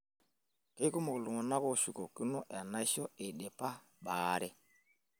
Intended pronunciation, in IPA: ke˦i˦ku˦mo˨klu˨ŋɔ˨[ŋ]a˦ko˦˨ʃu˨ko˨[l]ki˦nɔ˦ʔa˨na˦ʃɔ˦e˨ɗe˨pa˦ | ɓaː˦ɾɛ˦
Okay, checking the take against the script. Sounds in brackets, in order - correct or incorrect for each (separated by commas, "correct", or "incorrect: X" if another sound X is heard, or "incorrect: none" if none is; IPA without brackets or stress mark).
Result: incorrect: n, incorrect: none